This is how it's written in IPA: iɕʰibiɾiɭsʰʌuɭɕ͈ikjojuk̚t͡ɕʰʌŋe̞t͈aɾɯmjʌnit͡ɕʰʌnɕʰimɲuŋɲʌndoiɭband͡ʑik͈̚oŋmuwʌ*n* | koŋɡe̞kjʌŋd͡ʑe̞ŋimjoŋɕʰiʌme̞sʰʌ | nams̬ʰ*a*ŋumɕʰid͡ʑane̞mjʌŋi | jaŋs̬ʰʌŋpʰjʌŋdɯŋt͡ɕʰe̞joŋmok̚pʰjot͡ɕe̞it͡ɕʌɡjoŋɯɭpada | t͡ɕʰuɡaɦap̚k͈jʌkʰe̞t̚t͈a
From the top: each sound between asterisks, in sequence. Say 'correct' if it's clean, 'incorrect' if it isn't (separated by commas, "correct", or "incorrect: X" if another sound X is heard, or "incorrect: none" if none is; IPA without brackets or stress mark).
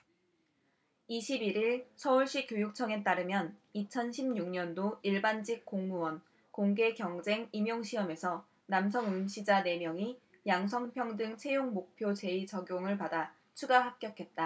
correct, incorrect: ʌ